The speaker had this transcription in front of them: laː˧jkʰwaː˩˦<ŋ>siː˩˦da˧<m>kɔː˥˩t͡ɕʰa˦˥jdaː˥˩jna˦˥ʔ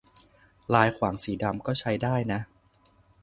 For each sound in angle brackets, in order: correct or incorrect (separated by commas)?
correct, correct